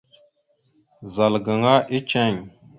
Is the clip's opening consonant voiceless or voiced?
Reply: voiced